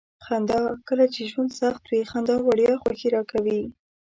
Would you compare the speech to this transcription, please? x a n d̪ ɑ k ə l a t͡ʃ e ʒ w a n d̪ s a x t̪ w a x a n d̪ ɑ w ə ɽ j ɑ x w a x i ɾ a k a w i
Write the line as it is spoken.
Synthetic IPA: x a n d̪ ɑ k ə l a t͡ʃ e ʒ w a n d̪ s a x t̪ w i x a n d̪ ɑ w a ɽ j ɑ x w a x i ɾ ɑ k a w i